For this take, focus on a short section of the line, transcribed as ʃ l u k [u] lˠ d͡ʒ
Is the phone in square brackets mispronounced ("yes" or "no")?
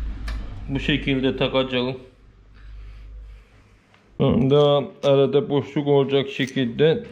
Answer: yes